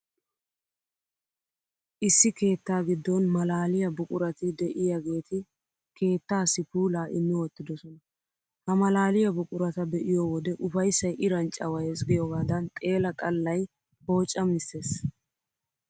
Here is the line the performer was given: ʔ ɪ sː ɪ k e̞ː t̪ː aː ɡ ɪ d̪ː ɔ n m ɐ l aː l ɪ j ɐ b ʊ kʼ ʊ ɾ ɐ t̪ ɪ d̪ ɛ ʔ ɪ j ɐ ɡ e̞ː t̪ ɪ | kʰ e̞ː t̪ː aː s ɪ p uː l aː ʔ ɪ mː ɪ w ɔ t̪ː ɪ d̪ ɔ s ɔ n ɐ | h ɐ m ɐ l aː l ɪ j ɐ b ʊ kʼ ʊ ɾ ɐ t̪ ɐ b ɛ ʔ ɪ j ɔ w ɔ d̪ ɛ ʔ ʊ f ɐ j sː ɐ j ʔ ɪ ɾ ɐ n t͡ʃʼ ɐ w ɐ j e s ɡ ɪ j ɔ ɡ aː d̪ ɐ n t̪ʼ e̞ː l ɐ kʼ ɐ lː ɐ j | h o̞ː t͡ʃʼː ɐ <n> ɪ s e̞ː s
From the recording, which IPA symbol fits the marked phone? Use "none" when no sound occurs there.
m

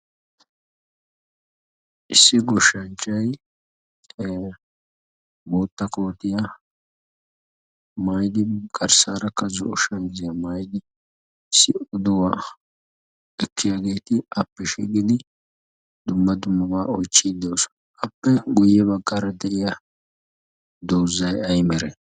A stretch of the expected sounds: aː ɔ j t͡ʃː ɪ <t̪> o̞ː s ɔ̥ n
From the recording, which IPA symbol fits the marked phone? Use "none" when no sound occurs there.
d̪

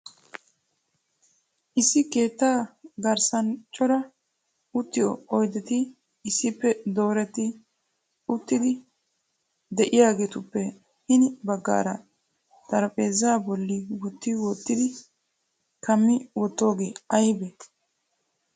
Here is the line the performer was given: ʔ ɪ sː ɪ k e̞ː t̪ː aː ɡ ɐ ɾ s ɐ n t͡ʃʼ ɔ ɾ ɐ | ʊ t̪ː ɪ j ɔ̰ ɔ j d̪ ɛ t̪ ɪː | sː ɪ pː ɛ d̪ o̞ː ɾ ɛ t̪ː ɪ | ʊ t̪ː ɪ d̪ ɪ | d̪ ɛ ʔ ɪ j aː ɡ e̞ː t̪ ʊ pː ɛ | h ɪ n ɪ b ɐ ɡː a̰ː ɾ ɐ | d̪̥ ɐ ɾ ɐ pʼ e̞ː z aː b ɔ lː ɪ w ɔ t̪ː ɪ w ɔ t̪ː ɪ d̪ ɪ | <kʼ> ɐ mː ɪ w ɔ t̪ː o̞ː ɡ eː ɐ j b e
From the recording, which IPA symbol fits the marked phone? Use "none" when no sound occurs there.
k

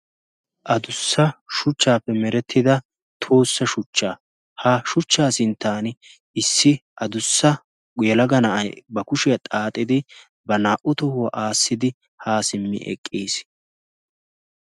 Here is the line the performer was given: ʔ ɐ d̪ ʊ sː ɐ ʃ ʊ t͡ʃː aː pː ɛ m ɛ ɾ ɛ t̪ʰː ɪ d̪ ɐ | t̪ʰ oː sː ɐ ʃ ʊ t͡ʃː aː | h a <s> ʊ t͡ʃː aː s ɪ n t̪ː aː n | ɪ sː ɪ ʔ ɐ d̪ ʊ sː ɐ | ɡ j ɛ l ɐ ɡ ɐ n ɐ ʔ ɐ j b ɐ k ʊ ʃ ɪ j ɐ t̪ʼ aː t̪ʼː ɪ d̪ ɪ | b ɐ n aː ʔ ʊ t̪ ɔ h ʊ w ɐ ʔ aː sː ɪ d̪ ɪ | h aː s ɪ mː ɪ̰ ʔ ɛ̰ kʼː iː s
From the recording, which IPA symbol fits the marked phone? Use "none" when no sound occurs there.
ʃ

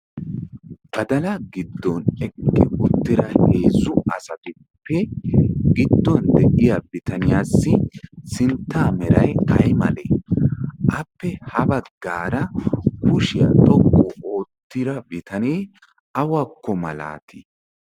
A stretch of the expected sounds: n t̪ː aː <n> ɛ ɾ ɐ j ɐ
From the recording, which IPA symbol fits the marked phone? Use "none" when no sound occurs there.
m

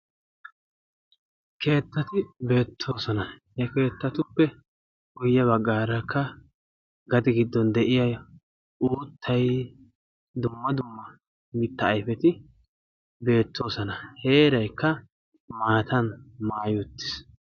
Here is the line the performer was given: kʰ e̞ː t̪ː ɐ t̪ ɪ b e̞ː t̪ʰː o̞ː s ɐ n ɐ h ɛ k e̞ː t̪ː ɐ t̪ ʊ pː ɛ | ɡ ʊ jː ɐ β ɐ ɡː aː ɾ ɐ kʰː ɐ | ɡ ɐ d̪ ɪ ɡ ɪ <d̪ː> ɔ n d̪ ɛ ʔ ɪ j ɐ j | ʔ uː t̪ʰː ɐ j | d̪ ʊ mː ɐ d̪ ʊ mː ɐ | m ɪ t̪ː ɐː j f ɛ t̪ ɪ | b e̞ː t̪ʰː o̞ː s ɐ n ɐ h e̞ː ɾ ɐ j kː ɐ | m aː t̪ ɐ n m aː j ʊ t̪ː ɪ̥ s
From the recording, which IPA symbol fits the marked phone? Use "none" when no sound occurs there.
d̪ː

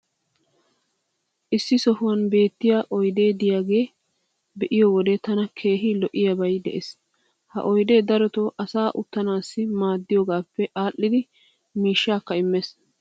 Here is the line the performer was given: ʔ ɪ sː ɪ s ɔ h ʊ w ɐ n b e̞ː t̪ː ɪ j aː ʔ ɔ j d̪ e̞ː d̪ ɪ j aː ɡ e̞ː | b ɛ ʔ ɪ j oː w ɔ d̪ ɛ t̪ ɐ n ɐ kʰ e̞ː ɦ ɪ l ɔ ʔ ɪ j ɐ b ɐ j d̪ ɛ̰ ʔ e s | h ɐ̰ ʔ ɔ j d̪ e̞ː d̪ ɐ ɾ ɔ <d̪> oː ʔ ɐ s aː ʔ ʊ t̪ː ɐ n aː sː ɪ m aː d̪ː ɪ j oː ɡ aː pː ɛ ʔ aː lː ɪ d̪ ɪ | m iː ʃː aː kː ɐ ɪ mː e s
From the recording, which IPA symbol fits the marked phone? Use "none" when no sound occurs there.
t̪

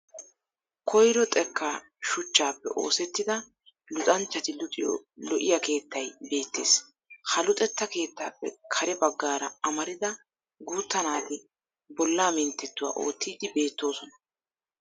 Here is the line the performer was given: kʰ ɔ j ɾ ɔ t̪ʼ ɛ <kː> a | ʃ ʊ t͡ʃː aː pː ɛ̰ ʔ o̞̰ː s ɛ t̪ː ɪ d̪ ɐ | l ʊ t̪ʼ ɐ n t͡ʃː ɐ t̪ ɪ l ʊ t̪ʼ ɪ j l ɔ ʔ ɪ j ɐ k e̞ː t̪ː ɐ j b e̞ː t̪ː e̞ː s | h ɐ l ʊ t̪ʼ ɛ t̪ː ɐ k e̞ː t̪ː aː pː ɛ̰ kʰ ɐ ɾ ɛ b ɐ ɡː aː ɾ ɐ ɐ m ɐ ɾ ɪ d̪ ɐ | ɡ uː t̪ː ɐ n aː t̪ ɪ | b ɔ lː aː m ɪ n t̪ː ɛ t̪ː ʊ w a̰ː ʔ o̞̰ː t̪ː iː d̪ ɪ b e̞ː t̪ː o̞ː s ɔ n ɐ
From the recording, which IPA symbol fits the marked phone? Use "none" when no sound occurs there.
kː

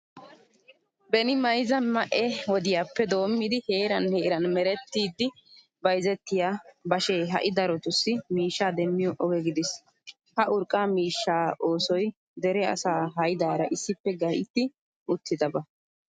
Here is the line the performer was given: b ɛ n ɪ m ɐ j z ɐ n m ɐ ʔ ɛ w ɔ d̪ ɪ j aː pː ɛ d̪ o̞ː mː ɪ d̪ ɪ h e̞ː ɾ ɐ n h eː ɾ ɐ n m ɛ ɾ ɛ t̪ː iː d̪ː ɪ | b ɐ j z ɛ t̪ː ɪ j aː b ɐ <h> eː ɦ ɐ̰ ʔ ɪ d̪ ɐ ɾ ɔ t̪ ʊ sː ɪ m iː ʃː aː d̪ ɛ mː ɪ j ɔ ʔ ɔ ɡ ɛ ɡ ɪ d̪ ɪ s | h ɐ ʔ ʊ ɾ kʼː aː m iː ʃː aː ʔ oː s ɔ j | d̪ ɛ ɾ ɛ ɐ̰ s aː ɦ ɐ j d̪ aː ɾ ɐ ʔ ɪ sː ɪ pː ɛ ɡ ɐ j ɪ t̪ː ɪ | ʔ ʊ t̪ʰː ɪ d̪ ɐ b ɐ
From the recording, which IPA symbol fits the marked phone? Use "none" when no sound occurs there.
ʃ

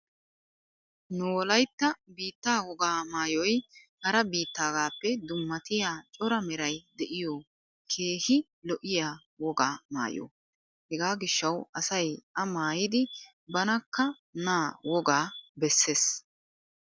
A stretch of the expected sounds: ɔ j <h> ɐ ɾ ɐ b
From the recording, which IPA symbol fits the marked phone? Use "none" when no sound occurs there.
h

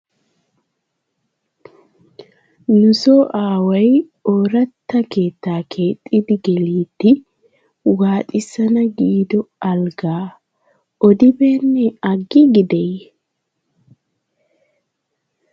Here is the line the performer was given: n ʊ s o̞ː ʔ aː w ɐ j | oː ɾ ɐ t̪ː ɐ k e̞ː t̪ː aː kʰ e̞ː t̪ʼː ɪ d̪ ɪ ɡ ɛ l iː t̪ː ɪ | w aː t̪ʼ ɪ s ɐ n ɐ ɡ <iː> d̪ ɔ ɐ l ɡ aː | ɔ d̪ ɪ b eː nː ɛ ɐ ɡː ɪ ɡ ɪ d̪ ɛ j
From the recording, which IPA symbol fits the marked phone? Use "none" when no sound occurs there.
iː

